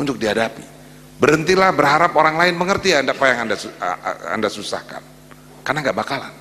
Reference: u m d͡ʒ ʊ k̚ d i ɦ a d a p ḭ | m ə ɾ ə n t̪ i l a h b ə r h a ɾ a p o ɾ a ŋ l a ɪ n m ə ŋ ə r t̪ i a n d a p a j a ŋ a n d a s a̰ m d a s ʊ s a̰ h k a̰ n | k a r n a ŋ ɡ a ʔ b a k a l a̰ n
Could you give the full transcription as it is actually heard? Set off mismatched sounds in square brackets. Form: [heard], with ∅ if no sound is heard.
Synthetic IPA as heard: u [ɲ] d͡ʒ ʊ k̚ d i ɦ a d a p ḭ | [b] ə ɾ ə n t̪ i l a h b ə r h a ɾ a p o ɾ a ŋ l a ɪ n m ə ŋ ə r t̪ i a n d a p a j a ŋ a n d a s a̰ [n] d a s [u] s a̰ h k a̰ n | k a r n a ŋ ɡ a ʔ b a k a l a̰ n